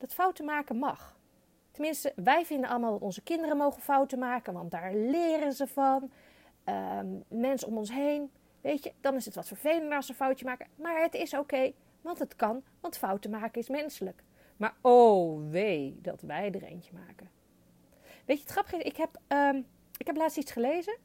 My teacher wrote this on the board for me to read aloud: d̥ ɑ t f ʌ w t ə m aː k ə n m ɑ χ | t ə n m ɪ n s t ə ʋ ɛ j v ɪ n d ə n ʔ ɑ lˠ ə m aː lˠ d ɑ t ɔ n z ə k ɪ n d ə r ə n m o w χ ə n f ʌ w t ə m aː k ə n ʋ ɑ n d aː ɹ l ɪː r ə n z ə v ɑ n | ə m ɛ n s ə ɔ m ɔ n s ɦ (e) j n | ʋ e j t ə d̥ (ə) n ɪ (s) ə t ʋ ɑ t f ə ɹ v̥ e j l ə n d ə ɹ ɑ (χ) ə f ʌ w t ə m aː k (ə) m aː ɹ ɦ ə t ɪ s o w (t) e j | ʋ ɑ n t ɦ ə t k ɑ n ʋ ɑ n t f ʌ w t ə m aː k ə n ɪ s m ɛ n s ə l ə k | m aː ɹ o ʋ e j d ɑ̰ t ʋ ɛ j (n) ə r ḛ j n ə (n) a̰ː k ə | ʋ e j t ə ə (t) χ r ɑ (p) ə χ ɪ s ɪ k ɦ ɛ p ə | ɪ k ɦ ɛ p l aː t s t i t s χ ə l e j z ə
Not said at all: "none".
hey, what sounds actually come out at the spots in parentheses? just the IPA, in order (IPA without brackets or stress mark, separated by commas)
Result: e, ɑ, s, s, ə, k, d, m, t, p